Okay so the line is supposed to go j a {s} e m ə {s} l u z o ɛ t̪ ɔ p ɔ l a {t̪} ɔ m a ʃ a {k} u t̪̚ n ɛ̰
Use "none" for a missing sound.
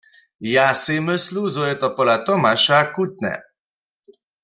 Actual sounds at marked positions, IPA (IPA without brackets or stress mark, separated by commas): s, s, t̪, k